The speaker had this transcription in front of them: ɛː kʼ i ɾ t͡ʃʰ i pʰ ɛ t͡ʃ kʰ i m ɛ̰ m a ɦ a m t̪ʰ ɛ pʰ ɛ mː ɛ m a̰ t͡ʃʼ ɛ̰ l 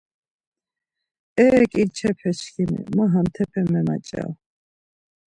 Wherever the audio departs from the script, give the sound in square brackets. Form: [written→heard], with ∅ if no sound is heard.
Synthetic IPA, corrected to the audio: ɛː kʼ i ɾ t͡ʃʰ [i→ɛ] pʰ ɛ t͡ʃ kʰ i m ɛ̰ m a ɦ a m t̪ʰ ɛ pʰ ɛ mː ɛ m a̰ t͡ʃʼ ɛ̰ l